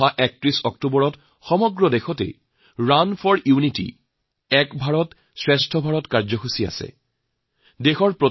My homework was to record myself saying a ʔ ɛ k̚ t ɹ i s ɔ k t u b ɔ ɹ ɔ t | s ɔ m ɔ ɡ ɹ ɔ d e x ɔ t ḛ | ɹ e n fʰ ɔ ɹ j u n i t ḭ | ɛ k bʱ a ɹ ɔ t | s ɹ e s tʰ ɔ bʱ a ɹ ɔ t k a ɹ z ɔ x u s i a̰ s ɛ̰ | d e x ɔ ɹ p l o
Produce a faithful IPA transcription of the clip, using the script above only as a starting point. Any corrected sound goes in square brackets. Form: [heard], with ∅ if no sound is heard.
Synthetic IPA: a ʔ ɛ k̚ t ɹ i s ɔ k t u b ɔ ɹ ɔ t | [x] ɔ m ɔ ɡ ɹ ɔ d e x ɔ t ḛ | ɹ [a] n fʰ ɔ ɹ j u n i t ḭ | ɛ k bʱ a ɹ ɔ t | s ɹ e s tʰ ɔ bʱ a ɹ ɔ t k a ɹ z ɔ x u s i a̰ s ɛ̰ | d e x ɔ ɹ p [ɹ] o